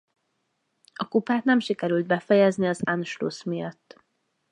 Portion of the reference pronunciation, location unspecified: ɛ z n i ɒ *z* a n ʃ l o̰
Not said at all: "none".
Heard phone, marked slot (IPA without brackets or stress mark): z